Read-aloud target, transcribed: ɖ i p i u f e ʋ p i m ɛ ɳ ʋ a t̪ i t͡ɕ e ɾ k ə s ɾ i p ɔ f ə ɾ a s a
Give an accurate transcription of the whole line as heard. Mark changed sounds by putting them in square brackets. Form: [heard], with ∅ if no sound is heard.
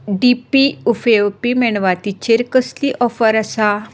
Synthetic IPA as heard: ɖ i p i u f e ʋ p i m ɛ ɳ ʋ a t̪ i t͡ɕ e ɾ k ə s [l] i [ʔ] ɔ f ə ɾ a s a